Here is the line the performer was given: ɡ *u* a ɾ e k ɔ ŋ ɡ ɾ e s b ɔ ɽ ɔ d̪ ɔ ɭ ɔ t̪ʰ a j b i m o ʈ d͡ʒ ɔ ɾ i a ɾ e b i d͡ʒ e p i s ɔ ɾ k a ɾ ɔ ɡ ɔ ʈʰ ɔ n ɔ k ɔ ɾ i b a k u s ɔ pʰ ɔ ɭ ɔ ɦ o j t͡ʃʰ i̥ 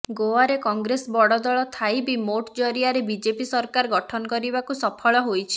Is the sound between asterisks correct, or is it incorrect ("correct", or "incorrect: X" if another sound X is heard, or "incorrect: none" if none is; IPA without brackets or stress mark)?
incorrect: o